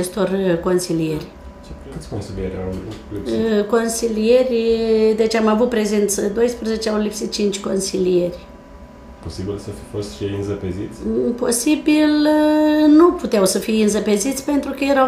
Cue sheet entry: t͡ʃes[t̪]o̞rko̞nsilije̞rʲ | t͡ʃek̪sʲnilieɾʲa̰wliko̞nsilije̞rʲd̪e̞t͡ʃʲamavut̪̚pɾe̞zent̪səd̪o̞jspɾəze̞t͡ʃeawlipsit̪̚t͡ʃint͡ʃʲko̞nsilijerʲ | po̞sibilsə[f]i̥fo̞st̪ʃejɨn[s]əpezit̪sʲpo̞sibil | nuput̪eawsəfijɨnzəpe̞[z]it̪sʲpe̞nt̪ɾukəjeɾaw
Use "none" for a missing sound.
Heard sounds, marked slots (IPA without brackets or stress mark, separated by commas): t̪, f, z, z